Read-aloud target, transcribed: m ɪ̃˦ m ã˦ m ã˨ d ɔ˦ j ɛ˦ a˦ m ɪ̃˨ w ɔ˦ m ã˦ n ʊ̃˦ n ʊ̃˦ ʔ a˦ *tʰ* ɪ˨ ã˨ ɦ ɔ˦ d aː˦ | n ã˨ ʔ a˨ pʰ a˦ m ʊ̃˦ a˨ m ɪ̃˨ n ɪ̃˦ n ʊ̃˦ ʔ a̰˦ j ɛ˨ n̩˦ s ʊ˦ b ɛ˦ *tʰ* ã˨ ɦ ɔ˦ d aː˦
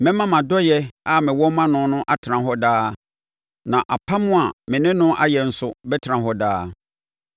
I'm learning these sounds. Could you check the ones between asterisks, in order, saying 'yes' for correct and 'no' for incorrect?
yes, yes

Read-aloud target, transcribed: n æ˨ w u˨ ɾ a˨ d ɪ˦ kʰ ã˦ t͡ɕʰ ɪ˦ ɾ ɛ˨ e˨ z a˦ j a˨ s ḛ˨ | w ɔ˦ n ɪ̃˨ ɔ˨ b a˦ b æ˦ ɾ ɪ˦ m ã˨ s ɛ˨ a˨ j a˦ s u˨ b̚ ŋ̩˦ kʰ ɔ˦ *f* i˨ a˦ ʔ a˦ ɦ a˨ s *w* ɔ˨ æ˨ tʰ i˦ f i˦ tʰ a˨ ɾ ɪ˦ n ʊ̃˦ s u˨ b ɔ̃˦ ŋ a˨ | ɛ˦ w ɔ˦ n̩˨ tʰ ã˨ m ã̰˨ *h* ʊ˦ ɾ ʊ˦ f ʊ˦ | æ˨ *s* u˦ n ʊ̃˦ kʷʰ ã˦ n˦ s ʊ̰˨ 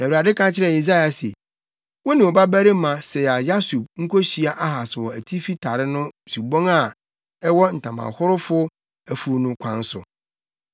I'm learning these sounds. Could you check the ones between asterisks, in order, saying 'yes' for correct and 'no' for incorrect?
no, yes, yes, no

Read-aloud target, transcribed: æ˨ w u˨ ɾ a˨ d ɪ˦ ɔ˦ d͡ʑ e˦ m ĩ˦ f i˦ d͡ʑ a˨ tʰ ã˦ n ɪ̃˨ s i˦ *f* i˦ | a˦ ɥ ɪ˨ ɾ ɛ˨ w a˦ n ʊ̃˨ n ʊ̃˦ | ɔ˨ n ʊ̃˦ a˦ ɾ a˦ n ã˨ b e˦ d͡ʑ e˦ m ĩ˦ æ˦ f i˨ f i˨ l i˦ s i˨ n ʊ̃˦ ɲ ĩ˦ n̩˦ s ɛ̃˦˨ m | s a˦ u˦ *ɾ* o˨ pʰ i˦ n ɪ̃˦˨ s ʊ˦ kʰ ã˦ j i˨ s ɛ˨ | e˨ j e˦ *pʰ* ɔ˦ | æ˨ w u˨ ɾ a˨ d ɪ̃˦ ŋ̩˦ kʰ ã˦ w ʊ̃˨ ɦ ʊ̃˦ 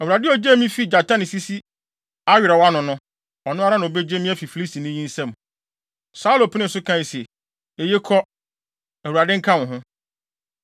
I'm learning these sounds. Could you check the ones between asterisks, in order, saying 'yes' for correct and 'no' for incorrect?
no, no, no

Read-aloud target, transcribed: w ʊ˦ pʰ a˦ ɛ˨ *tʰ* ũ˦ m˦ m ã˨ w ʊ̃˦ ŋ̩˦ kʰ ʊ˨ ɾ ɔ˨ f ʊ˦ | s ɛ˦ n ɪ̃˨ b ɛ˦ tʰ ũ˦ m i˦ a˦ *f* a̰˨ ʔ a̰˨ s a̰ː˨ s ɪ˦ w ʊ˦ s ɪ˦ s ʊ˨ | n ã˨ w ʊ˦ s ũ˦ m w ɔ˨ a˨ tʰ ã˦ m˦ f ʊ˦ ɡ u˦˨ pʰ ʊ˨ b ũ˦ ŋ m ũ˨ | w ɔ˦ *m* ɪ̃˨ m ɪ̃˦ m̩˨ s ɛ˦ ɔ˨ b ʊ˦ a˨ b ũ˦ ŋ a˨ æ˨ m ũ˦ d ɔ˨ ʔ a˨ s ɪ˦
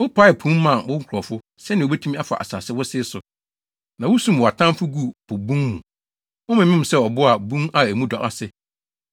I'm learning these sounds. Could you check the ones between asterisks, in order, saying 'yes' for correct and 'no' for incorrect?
no, yes, yes

